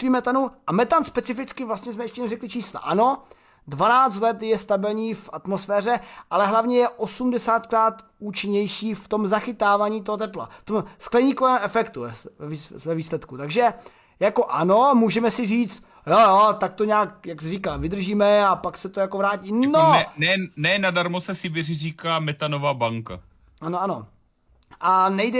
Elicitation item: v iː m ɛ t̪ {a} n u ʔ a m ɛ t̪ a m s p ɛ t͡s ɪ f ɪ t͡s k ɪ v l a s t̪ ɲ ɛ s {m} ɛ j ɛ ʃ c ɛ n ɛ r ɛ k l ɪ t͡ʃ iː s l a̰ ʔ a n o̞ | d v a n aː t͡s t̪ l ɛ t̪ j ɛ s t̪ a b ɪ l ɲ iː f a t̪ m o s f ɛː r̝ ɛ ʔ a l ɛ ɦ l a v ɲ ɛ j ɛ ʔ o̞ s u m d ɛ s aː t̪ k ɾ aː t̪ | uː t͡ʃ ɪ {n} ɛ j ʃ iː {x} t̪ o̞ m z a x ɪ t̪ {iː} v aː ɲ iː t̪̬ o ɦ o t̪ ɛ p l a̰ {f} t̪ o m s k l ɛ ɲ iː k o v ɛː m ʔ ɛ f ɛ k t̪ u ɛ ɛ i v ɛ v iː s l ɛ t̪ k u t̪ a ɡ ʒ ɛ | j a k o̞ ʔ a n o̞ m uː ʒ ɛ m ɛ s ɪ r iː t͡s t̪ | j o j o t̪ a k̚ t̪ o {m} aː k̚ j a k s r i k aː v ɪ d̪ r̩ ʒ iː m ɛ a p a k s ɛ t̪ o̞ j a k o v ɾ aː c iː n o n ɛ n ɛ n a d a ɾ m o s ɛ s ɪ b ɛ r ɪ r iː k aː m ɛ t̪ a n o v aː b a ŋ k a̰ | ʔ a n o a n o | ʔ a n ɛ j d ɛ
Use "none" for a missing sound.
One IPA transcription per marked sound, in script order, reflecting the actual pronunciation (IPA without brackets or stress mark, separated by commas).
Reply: a, m, ɲ, f, aː, f, ɲ